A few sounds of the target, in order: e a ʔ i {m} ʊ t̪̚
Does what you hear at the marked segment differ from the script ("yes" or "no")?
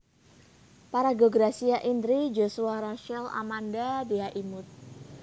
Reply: no